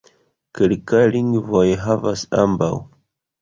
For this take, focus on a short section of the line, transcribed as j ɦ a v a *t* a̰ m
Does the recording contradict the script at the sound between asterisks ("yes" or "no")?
yes